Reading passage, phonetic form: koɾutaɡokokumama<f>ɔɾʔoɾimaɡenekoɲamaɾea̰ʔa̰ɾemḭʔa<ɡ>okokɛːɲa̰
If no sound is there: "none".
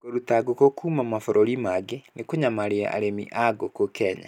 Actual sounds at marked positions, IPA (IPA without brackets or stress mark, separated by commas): f, ɡ